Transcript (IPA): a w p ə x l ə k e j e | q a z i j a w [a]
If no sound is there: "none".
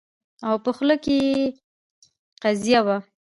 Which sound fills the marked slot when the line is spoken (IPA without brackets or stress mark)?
a